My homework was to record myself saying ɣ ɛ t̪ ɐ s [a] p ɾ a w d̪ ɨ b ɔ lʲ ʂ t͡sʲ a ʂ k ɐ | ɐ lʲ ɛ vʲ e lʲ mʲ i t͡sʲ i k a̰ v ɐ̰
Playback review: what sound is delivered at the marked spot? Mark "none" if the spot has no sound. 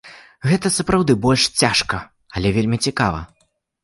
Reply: ɐ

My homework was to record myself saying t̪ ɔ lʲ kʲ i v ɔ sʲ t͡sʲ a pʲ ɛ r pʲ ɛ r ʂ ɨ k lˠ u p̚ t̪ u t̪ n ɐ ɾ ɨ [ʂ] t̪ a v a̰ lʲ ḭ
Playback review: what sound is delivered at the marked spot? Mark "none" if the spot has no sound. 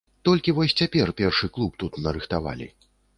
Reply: x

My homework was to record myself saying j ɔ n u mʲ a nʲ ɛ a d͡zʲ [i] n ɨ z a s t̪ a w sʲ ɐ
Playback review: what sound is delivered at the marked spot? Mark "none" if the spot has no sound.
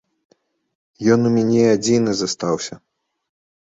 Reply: i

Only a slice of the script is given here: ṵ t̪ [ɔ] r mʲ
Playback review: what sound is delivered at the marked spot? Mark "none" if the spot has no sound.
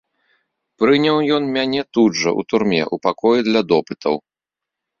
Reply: u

